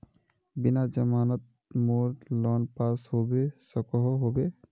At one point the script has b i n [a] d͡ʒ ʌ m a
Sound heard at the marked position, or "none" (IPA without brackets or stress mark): a